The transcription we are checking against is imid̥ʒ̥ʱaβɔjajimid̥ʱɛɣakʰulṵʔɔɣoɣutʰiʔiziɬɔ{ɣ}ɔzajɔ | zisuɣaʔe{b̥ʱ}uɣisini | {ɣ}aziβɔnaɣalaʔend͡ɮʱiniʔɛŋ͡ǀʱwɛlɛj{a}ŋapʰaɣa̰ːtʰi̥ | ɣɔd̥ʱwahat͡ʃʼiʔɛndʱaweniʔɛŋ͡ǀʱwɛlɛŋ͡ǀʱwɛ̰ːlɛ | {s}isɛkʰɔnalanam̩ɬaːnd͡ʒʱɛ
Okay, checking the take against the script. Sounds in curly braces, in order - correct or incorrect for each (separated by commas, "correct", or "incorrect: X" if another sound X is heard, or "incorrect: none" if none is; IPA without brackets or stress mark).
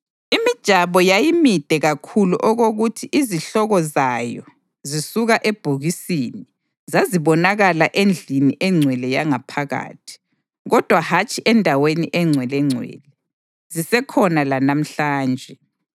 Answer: correct, correct, incorrect: z, correct, incorrect: z